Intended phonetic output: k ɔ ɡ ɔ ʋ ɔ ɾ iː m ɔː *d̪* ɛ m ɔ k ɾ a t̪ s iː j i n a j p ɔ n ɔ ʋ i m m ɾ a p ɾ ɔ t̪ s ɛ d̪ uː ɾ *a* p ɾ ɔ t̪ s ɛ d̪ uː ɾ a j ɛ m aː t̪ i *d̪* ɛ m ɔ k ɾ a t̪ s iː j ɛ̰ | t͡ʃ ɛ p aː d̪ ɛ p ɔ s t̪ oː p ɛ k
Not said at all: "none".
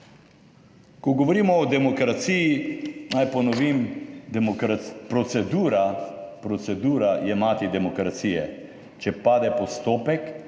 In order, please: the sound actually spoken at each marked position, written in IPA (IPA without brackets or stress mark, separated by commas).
d̪, a, d̪